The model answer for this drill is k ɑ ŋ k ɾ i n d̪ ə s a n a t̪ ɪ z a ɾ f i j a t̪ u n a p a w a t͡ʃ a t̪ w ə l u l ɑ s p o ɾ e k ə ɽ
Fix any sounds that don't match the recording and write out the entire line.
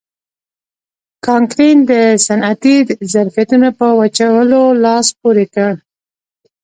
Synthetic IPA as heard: k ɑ ŋ k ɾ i n d̪ ə s a n a t̪ i z a ɾ f i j a t̪ u n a p ə w a t͡ʃ a w ə l o l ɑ s p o ɾ e k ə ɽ